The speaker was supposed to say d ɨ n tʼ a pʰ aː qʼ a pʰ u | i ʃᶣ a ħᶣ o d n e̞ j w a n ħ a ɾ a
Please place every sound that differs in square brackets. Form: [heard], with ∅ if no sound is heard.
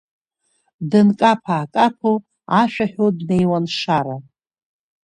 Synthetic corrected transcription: d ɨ n [kʼ] a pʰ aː [kʼ] a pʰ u | [a] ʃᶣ a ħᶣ o d n e̞ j w a n [ʂ] a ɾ a